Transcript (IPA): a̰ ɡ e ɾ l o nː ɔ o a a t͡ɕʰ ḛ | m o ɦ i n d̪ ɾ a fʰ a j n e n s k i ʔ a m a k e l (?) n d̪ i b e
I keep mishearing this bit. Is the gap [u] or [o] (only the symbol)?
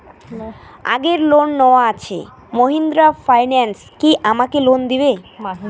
o